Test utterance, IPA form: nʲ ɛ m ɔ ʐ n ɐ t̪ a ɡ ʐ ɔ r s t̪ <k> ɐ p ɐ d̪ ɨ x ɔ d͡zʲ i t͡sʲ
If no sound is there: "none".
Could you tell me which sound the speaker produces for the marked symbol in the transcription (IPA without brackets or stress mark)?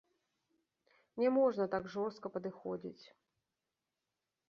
k